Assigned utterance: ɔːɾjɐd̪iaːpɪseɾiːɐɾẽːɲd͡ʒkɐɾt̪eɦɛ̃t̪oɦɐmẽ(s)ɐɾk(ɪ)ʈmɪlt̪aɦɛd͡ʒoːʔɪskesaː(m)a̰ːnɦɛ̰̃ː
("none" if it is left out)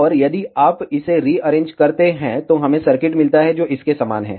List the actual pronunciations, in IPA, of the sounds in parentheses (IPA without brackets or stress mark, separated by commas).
s, ɪ, m